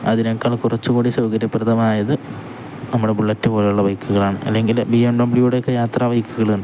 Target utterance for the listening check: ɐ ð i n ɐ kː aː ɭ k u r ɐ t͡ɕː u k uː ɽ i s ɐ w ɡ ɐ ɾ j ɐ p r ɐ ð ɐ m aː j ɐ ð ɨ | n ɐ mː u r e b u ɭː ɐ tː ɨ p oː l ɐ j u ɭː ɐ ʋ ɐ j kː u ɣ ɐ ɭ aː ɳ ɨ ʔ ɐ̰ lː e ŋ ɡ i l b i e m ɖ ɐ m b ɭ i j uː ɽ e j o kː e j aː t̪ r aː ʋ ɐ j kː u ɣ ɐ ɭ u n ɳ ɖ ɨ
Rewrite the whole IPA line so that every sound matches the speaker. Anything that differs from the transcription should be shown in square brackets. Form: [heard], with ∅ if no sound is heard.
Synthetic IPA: ɐ ð i n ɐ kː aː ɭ k u r ɐ t͡ɕː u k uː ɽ i s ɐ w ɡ ɐ ɾ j ɐ p r ɐ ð ɐ m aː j ɐ ð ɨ | n ɐ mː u [ɽ] e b u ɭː ɐ tː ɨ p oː l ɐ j u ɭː ɐ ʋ ɐ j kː u ɣ ɐ ɭ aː ɳ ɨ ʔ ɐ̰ lː e ŋ ɡ i l b i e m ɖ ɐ m b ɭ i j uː ɽ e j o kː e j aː t̪ r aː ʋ ɐ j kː u ɣ ɐ ɭ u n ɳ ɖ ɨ